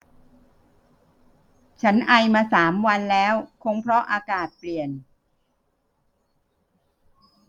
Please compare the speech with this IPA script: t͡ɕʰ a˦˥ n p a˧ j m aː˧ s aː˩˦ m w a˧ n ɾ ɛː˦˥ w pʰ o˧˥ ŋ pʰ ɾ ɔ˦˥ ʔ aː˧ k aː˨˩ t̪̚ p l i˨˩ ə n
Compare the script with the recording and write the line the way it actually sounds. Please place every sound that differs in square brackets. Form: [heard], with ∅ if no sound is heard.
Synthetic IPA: t͡ɕʰ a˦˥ n [ʔ] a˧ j m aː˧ s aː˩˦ m w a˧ n [l] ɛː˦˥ w [kʰ] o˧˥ ŋ pʰ ɾ ɔ˦˥ ʔ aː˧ k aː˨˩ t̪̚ p l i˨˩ ə n